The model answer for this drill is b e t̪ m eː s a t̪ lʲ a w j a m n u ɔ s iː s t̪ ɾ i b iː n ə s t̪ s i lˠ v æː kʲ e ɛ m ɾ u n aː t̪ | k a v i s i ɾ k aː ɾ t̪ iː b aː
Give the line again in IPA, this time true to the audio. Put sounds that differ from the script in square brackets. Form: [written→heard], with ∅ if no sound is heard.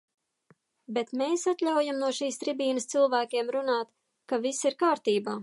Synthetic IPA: b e t̪ m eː s a t̪ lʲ a w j a m n u ɔ [s→ʃ] iː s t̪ ɾ i b iː n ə s t̪ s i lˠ v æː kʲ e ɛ m ɾ u n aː t̪ | k a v i s i ɾ k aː ɾ t̪ iː b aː